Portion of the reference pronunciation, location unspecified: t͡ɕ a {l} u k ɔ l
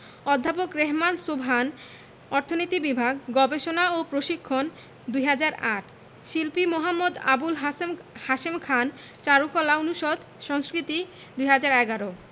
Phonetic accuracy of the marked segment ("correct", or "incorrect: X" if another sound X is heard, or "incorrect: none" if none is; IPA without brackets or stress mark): incorrect: ɾ